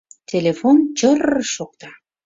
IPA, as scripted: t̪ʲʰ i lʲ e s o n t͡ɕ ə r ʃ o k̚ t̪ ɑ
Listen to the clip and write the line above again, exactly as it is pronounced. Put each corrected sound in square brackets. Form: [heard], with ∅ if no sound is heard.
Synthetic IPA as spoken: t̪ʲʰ [e] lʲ e [f] o n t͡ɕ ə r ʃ o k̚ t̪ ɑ